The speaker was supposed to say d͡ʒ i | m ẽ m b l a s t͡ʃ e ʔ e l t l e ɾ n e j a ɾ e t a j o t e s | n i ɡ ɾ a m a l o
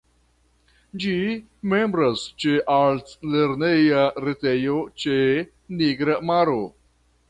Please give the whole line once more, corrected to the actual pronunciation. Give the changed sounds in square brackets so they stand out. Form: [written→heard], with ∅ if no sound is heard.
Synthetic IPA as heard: d͡ʒ i | m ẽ m b [l→ɾ] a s t͡ʃ e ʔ [e→a] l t l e ɾ n e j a ɾ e t [a→e] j o [t→t͡ʃ] e [s→∅] | n i ɡ ɾ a m a [l→ɾ] o